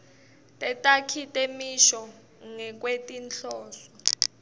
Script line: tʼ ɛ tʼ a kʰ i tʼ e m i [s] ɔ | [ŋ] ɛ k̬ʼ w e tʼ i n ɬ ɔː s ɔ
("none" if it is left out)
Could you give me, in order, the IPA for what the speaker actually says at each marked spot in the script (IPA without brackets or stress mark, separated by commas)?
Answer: ʃ, ŋ